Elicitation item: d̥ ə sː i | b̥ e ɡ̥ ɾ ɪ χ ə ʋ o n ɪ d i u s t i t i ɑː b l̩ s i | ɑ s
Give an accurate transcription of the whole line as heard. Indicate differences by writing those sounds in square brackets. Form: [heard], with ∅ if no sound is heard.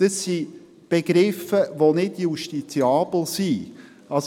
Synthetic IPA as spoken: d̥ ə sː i | b̥ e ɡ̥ ɾ ɪ [f] ə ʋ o n ɪ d [j] u [ʃ] t i [t͡s] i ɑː b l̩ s i | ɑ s